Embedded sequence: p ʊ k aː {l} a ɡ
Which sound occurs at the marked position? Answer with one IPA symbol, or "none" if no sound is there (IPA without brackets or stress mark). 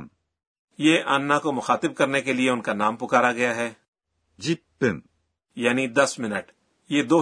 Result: ɾ